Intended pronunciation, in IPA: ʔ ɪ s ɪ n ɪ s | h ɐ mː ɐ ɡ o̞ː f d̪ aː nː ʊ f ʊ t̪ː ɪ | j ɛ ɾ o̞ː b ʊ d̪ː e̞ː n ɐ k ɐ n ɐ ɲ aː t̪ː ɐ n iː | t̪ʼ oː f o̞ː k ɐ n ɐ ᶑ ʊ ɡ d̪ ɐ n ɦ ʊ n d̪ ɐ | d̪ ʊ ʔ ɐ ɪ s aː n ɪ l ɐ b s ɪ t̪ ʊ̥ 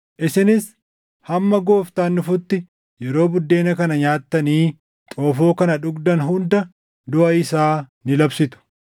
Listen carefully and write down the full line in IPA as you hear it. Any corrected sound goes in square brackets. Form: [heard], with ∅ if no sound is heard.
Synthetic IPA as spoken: ʔ ɪ s ɪ n ɪ s | h ɐ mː ɐ ɡ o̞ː f [t̪] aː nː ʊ f ʊ t̪ː ɪ | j ɛ ɾ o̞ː b ʊ d̪ː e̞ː n ɐ k ɐ n ɐ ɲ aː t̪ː ɐ n iː | t̪ʼ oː f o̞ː k ɐ n ɐ ᶑ ʊ ɡ d̪ ɐ n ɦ ʊ n d̪ ɐ | d̪ ʊ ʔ ɐ ɪ s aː n ɪ l ɐ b s ɪ t̪ ʊ̥

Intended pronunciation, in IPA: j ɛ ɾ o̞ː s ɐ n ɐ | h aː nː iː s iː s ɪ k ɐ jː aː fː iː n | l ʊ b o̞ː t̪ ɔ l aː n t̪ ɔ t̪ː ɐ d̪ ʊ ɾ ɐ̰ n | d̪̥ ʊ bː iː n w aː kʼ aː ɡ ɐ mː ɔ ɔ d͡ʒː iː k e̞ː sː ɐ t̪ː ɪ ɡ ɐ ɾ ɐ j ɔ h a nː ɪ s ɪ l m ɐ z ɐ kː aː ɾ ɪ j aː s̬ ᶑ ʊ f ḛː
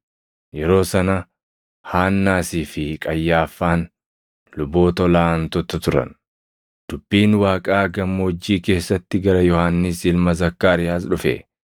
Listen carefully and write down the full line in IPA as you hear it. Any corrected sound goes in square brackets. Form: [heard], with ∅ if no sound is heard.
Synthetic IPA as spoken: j ɛ ɾ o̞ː s ɐ n ɐ | h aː nː [aː] s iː [f] ɪ [kʼ] ɐ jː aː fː [aː] n | l ʊ b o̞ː t̪ ɔ l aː n t̪ ɔ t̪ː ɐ [t̪] ʊ ɾ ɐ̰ n | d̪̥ ʊ bː iː n w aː kʼ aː ɡ ɐ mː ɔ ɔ d͡ʒː iː k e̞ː sː ɐ t̪ː ɪ ɡ ɐ ɾ ɐ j ɔ h a nː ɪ s ɪ l m ɐ z ɐ kː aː ɾ ɪ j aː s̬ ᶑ ʊ f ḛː

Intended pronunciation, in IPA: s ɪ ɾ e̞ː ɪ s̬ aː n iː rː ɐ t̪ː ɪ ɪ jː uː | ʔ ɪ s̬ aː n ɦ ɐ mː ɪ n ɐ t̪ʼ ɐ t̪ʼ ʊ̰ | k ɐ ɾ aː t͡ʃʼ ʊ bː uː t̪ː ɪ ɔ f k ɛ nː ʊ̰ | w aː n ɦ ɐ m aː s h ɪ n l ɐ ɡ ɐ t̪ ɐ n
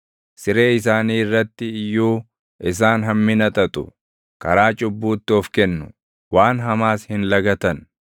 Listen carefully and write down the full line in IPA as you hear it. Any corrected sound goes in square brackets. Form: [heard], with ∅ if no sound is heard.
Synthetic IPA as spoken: s ɪ ɾ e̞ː ɪ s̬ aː n iː rː ɐ t̪ː ɪ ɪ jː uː | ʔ ɪ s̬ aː n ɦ ɐ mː ɪ n ɐ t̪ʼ ɐ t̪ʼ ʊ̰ | k ɐ ɾ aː t͡ʃʼ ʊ bː uː t̪ː ɪ ɔ f k ɛ nː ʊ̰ | w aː n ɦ ɐ m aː s h ɪ n l ɐ ɡ ɐ t̪ ɐ n

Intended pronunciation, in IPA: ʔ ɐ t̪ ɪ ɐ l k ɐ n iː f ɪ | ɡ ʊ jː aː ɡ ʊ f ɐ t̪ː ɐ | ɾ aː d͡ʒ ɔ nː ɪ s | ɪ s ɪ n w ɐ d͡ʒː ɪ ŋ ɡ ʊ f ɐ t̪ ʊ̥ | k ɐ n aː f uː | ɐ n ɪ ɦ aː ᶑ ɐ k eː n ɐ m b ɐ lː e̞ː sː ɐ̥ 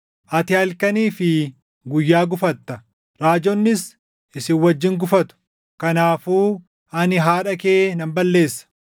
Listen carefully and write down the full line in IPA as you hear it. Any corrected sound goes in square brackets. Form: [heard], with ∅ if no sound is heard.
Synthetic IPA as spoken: ʔ ɐ t̪ ɪ ɐ l k ɐ n iː f ɪ | ɡ ʊ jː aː ɡ ʊ f ɐ t̪ː ɐ | ɾ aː d͡ʒ ɔ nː ɪ s | ɪ s ɪ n w ɐ d͡ʒː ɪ ŋ ɡ ʊ f ɐ t̪ ʊ̥ | k ɐ n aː f uː | ɐ n ɪ ɦ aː ᶑ ɐ k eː n ɐ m b ɐ lː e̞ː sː ɐ̥

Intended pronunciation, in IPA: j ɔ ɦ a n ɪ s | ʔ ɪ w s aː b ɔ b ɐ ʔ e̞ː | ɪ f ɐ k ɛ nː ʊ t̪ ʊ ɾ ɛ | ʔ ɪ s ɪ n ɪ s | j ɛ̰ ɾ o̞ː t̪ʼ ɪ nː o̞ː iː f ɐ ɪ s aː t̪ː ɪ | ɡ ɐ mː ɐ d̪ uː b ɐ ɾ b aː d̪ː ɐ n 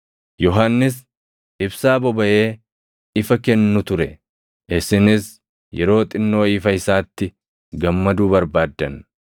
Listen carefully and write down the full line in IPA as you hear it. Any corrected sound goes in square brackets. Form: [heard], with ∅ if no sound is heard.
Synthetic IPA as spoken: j ɔ ɦ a [nː] ɪ s | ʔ ɪ [b] s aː b ɔ b ɐ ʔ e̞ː | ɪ f ɐ k ɛ nː ʊ t̪ ʊ ɾ ɛ | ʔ ɪ s ɪ n ɪ s | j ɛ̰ ɾ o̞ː t̪ʼ ɪ nː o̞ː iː f ɐ ɪ s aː t̪ː ɪ | ɡ ɐ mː ɐ d̪ uː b ɐ ɾ b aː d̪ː ɐ n

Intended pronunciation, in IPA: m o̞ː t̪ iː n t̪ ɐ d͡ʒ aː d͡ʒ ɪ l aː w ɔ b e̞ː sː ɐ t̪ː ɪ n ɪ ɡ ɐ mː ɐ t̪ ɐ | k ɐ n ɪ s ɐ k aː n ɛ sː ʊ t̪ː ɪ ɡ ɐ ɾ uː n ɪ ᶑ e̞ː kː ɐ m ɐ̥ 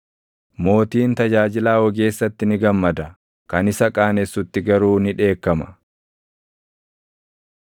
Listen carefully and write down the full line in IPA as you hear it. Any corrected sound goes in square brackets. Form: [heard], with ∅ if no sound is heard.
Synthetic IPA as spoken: m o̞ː t̪ iː n t̪ ɐ d͡ʒ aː d͡ʒ ɪ l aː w ɔ [ɡ] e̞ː sː ɐ t̪ː ɪ n ɪ ɡ ɐ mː ɐ [d̪] ɐ | k ɐ n ɪ s ɐ [kʼ] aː n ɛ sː ʊ t̪ː ɪ ɡ ɐ ɾ uː n ɪ ᶑ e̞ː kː ɐ m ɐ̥

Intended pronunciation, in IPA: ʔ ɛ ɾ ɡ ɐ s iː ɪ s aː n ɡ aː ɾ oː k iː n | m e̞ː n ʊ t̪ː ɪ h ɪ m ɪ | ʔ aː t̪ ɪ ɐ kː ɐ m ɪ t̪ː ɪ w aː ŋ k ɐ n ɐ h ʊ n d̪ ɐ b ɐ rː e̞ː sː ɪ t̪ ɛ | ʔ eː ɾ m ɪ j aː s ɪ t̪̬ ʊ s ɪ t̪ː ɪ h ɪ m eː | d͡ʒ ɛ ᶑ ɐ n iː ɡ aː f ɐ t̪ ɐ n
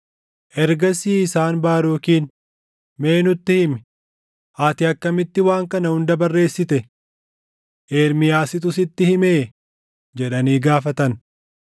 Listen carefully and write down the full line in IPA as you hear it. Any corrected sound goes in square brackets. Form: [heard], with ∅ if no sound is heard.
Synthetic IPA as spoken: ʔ ɛ ɾ ɡ ɐ s iː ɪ s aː n [b] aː ɾ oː k iː n | m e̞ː n ʊ t̪ː ɪ h ɪ m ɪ | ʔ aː t̪ ɪ ɐ kː ɐ m ɪ t̪ː ɪ w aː ŋ k ɐ n ɐ h ʊ n d̪ ɐ b ɐ rː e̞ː sː ɪ t̪ ɛ | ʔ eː ɾ m ɪ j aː s ɪ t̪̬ ʊ s ɪ t̪ː ɪ h ɪ m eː | d͡ʒ ɛ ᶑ ɐ n iː ɡ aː f ɐ t̪ ɐ n

